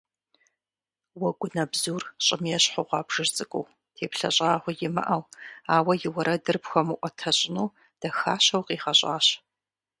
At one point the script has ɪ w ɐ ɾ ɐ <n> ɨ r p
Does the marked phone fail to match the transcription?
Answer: yes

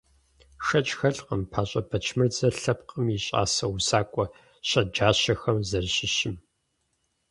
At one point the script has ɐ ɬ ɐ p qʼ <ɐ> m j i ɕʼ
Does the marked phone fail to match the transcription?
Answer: yes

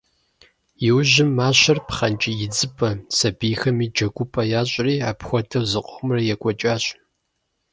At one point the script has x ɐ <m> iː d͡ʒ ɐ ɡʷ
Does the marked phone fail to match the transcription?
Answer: no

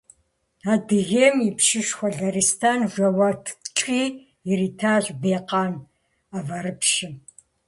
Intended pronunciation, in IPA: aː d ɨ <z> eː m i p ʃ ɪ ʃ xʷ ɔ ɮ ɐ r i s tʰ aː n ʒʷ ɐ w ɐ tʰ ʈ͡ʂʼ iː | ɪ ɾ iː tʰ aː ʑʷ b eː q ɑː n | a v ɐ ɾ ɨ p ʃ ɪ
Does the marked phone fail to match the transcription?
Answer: yes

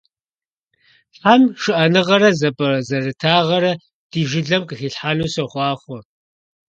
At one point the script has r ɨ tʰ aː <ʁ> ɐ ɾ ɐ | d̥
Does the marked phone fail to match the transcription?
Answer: no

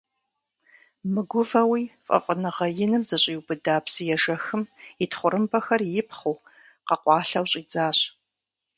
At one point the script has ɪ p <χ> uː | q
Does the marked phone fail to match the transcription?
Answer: no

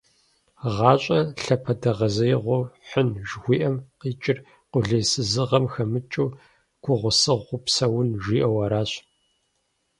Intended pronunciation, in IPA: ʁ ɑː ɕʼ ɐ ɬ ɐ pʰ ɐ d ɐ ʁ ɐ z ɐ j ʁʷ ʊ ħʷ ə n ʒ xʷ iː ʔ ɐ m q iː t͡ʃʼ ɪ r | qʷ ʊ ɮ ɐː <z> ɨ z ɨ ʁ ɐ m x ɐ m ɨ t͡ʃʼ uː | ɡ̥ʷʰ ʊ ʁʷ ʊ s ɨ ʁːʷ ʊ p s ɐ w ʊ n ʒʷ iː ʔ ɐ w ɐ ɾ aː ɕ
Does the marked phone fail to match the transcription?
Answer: yes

